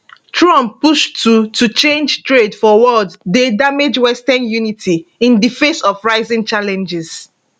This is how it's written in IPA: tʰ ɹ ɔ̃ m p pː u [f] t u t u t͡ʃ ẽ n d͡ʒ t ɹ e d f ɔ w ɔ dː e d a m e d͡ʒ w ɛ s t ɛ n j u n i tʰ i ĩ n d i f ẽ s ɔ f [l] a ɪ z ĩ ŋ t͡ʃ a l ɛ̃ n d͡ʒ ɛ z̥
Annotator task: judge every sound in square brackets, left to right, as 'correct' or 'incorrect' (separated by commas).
incorrect, incorrect